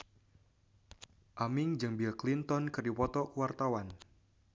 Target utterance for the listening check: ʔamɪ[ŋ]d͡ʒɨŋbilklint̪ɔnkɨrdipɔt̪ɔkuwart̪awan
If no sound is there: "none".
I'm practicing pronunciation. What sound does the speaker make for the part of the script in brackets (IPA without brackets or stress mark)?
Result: ŋ